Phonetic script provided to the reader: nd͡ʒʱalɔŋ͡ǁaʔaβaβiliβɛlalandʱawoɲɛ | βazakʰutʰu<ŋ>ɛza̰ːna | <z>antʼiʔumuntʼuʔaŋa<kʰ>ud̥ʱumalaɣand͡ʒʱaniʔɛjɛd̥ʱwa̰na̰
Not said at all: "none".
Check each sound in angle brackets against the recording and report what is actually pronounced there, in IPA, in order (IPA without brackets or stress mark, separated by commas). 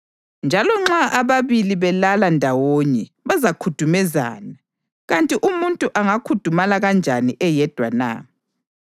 m, ɣ, kʰ